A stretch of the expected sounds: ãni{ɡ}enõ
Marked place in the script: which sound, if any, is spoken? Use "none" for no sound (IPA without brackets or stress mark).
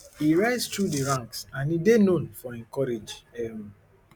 d